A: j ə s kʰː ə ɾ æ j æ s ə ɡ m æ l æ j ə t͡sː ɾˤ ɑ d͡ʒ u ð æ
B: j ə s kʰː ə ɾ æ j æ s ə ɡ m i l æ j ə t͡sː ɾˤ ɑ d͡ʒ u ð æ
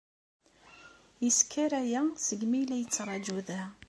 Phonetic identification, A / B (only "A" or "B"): B